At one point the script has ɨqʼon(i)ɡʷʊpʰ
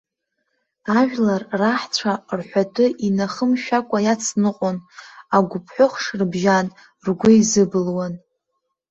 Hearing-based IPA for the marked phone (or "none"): a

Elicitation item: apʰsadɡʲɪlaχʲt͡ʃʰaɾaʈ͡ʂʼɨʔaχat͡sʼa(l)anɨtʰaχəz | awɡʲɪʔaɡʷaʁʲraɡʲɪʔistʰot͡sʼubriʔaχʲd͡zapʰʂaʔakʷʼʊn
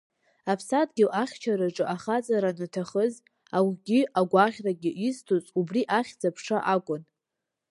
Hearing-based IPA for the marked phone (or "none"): ɾ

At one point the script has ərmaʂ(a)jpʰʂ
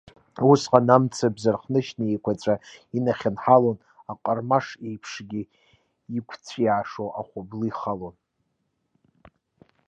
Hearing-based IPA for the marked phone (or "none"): e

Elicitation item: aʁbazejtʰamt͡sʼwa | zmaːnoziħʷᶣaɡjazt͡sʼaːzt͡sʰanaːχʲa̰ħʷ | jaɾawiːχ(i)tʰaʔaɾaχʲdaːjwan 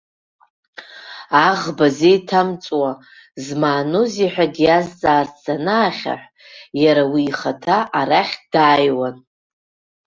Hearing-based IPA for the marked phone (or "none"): a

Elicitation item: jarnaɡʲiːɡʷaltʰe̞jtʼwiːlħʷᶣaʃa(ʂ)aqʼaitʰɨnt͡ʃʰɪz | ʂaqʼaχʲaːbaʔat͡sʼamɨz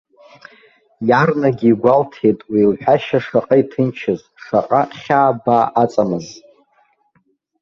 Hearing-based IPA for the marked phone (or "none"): ʂ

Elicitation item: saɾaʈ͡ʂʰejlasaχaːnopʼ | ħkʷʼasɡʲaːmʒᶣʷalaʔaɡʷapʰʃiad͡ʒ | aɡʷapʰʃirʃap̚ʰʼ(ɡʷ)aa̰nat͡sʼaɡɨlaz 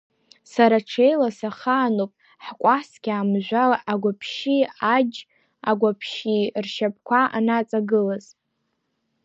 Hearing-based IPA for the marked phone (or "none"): kʷ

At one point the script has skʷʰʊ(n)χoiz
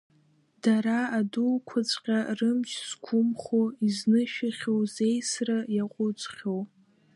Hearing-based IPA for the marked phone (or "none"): m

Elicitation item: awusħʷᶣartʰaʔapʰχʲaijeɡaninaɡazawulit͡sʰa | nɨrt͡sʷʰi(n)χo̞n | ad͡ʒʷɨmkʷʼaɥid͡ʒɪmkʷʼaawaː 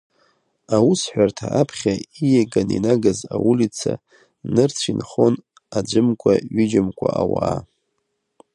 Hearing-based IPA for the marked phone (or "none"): n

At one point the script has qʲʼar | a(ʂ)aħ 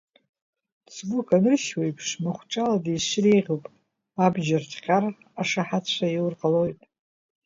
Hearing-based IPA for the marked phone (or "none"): ʂ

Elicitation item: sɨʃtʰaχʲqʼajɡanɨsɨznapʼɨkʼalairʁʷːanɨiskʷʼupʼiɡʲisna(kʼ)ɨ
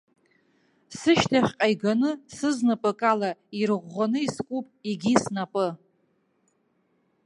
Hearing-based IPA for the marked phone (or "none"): pʼ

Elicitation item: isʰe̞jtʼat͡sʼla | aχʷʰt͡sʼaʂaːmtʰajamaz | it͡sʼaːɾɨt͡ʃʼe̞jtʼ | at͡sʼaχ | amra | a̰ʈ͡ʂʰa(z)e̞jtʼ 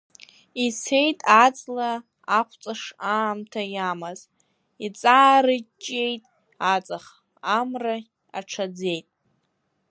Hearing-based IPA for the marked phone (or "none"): d͡z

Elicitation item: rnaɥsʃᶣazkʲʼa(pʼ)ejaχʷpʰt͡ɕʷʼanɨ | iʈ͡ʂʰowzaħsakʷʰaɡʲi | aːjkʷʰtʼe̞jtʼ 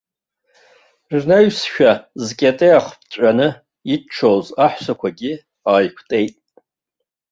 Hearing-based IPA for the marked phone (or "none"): tʼ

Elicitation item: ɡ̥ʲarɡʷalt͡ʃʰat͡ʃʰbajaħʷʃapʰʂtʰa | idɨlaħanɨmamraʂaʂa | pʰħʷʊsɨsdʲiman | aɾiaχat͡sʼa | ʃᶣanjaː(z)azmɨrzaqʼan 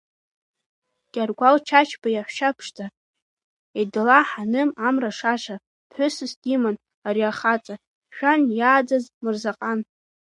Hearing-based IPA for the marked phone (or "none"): d͡z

